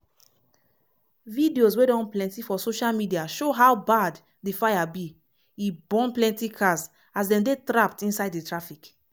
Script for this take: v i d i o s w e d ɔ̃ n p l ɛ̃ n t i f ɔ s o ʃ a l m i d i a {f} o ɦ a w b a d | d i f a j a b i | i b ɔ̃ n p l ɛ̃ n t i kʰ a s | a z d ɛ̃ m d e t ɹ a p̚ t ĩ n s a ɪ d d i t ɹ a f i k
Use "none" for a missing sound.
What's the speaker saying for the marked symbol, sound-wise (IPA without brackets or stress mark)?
ʃ